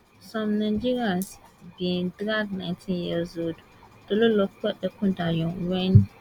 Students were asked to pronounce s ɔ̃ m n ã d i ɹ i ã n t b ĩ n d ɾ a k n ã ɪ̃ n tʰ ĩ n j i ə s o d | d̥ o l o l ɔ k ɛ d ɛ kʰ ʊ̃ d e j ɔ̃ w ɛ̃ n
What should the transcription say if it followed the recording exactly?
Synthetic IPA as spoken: s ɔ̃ m n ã d͡ʒ i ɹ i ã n s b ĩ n d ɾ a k n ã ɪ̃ n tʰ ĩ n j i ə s o d | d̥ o l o l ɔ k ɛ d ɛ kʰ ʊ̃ d a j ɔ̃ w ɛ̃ n